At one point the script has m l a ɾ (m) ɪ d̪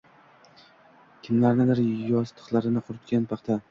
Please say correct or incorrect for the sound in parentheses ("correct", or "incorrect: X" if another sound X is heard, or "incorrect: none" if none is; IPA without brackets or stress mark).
incorrect: n